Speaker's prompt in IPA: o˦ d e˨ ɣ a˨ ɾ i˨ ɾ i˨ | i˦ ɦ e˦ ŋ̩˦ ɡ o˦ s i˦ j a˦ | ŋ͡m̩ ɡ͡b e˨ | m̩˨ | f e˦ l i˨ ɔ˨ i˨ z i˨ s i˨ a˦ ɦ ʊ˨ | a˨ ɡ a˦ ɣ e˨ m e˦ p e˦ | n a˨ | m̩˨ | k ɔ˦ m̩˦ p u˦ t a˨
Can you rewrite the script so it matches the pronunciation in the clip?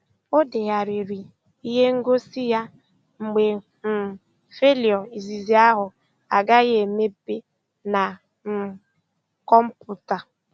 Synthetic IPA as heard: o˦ d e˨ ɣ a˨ ɾ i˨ ɾ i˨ | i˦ ɦ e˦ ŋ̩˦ ɡ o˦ s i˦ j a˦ | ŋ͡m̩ ɡ͡b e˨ | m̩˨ | f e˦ l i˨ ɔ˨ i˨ z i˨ z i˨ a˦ ɦ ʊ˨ | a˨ ɡ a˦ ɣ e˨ m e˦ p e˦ | n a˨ | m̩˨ | k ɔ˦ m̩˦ p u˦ t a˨

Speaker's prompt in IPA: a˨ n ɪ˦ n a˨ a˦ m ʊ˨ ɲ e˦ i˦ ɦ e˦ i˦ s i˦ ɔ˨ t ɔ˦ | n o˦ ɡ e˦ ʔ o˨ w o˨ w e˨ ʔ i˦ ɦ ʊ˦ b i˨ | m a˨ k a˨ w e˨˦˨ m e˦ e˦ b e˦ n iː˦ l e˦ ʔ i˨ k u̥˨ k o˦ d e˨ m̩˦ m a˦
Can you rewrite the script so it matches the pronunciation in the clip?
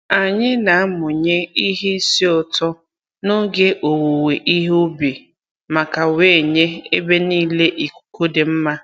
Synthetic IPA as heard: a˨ ɲ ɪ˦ n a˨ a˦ m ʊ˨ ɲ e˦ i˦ ɦ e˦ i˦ s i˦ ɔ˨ t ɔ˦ | n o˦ ɡ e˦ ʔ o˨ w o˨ w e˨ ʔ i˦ ɦ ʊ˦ b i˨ | m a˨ k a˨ w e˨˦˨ ɲ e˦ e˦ b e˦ n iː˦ l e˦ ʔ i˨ k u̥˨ k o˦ d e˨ m̩˦ m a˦

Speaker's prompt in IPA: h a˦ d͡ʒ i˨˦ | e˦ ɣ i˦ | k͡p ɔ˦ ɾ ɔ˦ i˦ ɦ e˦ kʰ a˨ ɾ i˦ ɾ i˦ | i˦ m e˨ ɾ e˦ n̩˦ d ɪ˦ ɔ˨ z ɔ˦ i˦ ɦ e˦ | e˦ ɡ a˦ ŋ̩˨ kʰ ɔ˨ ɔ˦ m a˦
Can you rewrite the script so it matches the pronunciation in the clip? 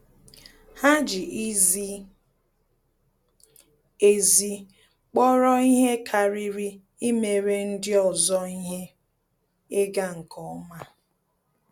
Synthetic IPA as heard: h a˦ d͡ʒ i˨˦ | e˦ z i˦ | k͡p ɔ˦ ɾ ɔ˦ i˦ ɦ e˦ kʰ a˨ ɾ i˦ ɾ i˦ | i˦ m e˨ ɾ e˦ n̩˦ d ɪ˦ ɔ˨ z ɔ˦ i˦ ɦ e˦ | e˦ ɡ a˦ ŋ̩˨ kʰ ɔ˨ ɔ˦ m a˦

